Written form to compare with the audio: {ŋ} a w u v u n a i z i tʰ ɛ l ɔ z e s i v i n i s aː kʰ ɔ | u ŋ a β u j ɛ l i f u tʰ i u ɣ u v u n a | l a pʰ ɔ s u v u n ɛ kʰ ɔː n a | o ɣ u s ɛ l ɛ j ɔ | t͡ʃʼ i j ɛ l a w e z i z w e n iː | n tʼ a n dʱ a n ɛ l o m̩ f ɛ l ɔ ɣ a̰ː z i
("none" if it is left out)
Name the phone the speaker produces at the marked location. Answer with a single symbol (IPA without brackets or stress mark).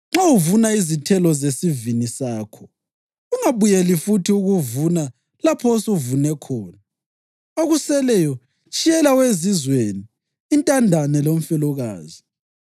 ŋ͡ǁ